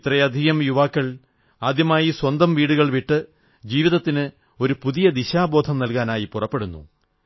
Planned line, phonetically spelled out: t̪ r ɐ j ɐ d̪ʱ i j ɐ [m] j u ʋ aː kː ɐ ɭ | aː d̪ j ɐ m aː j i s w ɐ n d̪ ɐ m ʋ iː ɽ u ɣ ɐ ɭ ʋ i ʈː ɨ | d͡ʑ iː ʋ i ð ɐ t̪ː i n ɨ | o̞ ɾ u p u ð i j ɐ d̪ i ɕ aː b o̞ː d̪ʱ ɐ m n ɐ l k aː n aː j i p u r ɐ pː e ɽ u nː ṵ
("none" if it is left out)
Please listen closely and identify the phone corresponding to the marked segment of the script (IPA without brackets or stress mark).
m